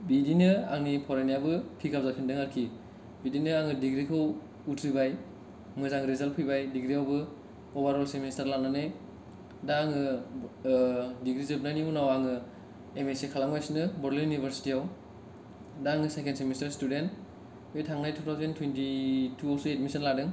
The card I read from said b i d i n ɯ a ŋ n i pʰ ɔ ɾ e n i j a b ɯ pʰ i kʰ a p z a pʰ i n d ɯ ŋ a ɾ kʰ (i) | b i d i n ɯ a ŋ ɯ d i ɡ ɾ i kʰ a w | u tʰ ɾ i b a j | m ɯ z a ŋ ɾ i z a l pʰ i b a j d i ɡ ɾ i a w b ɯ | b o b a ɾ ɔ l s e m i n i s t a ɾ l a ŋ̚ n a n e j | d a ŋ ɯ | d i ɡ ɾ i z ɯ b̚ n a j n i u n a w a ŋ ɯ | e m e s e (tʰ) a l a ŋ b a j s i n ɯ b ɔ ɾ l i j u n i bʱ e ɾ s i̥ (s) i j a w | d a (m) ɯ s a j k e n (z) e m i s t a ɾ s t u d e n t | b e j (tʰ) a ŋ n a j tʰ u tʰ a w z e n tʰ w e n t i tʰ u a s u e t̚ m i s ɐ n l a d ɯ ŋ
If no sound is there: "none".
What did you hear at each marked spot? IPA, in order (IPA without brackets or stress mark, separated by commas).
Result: i, kʰ, t, ŋ, s, tʰ